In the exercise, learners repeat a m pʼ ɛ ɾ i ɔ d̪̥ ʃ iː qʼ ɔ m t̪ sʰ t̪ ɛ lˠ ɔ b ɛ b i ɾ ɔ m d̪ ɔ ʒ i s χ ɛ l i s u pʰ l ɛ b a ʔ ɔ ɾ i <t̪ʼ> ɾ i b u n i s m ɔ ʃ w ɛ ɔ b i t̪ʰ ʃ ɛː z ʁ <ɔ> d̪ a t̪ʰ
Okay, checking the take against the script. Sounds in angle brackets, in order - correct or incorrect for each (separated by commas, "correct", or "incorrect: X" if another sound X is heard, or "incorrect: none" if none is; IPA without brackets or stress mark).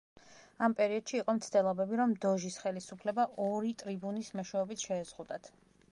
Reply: correct, incorrect: u